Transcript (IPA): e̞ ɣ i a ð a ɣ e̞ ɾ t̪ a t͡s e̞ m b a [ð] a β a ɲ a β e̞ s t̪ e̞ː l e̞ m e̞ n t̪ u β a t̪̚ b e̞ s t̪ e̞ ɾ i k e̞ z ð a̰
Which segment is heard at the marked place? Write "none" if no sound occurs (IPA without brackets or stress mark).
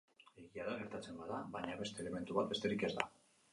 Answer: ð